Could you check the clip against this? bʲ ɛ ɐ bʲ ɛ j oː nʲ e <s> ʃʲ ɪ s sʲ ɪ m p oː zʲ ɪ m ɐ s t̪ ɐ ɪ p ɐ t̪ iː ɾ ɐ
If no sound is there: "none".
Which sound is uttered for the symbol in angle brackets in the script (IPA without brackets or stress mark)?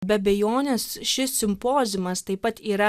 s